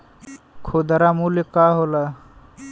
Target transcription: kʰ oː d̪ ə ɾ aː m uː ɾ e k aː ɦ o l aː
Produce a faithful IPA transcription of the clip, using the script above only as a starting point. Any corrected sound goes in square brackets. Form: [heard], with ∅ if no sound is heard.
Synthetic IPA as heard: kʰ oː d̪ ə ɾ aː m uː [l] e k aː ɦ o l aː